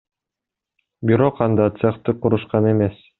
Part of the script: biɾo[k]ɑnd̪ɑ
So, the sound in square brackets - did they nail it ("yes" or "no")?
no